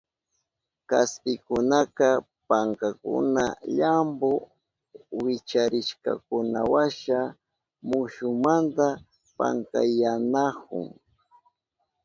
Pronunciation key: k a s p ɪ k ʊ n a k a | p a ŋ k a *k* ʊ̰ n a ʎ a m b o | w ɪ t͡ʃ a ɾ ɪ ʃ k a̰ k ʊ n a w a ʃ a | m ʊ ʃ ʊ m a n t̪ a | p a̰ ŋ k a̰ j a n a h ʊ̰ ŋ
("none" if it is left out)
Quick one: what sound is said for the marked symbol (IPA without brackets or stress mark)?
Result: k